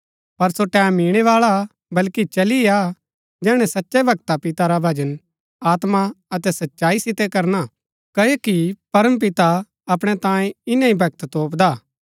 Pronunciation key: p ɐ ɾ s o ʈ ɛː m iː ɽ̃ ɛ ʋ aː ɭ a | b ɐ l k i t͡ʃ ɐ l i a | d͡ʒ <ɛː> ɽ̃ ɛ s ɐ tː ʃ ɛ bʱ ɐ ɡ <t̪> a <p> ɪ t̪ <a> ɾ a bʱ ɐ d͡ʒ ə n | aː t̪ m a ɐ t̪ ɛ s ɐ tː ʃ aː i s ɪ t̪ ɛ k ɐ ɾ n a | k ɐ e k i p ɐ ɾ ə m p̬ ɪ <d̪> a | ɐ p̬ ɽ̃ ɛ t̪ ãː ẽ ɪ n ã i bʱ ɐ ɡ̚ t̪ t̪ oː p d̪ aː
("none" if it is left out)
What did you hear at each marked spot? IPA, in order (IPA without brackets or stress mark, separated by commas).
ɛː, t̪, p, a, t̪